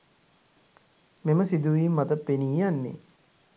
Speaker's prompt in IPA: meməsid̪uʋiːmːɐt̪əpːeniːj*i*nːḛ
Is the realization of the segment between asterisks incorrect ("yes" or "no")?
yes